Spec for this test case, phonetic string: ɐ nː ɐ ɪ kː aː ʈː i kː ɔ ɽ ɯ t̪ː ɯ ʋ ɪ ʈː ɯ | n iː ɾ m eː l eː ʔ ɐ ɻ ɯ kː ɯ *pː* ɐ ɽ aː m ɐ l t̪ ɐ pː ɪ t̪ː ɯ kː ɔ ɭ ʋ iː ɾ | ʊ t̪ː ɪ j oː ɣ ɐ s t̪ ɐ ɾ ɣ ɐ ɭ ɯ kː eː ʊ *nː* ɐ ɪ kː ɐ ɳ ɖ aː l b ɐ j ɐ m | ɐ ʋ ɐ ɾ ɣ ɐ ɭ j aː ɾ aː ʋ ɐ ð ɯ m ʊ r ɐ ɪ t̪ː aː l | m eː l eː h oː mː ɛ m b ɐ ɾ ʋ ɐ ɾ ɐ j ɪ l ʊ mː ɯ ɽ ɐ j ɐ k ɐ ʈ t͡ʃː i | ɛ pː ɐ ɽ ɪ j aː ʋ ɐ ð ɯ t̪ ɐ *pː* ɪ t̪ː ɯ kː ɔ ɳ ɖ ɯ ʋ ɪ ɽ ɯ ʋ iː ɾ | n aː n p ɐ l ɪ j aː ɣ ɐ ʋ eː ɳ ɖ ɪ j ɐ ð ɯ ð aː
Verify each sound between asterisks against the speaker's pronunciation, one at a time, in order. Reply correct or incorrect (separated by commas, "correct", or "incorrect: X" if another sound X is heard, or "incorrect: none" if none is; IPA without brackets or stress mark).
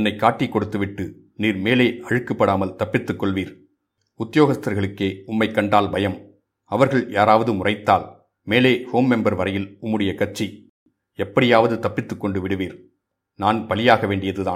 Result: correct, incorrect: mː, correct